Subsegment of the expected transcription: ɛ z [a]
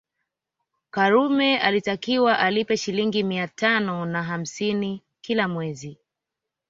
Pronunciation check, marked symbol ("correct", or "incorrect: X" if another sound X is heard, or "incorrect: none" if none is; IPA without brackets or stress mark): incorrect: i